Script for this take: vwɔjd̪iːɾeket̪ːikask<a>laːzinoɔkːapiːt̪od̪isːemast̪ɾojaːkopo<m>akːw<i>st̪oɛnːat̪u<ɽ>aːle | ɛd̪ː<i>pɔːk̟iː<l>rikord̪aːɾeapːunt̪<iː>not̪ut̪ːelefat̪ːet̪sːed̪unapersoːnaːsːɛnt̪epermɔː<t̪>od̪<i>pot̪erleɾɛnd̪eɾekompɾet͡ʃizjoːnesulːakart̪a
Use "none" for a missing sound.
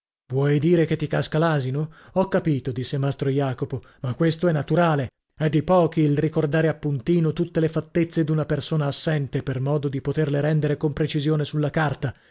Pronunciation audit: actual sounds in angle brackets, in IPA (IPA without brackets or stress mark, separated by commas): a, m, e, ɾ, i, l, iː, d̪, i